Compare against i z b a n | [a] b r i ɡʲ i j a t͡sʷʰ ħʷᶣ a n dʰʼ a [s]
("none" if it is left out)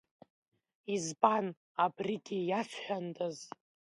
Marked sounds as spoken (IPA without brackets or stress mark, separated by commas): a, z